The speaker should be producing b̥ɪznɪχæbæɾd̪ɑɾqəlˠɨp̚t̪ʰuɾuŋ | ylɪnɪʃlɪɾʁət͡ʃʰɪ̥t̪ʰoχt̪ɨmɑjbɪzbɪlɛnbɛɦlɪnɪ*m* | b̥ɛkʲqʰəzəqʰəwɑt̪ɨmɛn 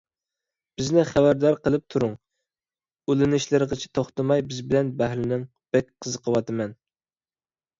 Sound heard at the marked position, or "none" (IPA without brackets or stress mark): ŋ